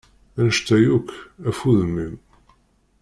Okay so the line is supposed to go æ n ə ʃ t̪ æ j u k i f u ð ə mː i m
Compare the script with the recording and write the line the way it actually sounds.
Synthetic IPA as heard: æ n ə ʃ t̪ æ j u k æ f u ð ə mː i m